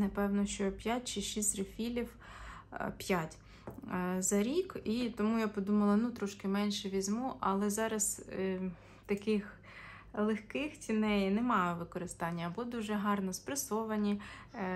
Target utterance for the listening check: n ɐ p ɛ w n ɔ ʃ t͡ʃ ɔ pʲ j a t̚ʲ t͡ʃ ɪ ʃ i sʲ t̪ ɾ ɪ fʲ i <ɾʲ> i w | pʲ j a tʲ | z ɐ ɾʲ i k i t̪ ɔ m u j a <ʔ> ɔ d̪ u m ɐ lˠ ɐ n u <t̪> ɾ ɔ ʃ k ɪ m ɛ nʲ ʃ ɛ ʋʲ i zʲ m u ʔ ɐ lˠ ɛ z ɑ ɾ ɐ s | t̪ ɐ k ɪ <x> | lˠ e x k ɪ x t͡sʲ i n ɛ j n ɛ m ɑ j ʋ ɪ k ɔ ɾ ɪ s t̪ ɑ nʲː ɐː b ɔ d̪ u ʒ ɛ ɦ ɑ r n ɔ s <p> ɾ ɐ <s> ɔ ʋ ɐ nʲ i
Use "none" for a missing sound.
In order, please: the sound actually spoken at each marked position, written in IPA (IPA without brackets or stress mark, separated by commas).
lʲ, p, t̪, x, p, s